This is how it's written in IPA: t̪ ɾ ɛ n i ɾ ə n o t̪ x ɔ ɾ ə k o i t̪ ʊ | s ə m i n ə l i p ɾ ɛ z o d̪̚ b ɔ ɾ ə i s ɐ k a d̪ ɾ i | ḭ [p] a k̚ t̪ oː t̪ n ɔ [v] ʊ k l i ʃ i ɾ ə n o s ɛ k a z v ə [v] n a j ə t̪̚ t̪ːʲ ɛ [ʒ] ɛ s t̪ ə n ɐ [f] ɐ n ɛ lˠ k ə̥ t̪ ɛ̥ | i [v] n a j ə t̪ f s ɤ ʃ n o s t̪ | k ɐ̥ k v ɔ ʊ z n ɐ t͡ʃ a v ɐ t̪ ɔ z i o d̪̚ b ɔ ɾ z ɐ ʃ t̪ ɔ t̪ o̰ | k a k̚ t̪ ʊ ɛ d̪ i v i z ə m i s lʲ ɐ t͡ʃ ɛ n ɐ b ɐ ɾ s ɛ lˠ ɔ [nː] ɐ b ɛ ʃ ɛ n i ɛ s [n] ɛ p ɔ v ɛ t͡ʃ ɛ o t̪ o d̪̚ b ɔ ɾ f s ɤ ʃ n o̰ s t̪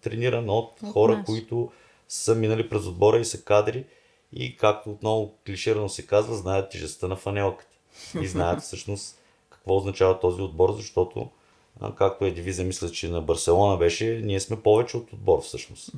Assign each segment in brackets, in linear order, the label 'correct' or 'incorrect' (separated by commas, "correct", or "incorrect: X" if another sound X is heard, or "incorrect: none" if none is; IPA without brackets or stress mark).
incorrect: k, correct, incorrect: z, correct, correct, incorrect: z, incorrect: n, incorrect: m